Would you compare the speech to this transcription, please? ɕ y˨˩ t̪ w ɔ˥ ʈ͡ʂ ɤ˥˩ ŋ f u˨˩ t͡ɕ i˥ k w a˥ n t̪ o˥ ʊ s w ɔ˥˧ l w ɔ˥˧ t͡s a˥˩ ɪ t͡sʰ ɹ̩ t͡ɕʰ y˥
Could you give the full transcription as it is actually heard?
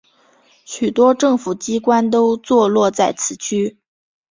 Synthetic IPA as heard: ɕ y˨˩ t̪ w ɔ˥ ʈ͡ʂ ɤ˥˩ ŋ f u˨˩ t͡ɕ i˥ k w a˥ n t̪ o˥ ʊ t͡s w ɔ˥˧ l w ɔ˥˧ t͡s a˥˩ ɪ t͡sʰ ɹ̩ t͡ɕʰ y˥